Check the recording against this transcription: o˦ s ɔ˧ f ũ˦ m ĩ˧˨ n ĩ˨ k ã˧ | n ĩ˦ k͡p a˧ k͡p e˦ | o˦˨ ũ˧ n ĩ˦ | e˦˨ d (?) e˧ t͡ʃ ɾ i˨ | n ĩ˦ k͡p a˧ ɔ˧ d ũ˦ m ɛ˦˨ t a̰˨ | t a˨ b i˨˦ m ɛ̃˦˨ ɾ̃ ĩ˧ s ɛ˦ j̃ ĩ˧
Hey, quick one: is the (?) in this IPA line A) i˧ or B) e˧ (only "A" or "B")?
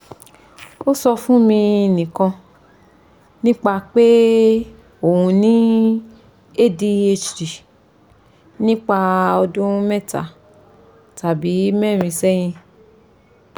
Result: A